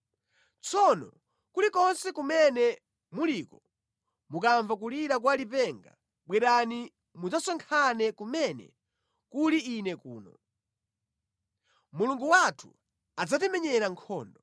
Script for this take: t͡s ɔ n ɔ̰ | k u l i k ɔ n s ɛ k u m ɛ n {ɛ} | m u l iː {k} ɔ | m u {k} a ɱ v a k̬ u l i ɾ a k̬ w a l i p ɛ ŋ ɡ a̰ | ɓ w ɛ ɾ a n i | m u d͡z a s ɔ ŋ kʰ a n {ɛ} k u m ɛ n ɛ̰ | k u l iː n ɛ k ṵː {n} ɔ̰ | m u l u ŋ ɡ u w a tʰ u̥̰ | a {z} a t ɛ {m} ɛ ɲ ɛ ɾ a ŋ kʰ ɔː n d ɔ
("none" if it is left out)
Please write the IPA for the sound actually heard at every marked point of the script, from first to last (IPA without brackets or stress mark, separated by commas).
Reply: ɛ, k, k, ɛ, n, d͡z, m